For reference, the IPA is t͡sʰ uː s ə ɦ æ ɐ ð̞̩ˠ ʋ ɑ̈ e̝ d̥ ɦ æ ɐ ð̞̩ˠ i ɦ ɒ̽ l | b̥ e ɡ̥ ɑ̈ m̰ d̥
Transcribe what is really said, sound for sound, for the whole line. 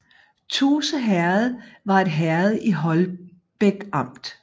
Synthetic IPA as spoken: t͡sʰ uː s ə ɦ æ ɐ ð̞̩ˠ ʋ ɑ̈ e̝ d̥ ɦ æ ɐ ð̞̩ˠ i ɦ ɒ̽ l | b̥ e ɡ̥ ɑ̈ m̰ d̥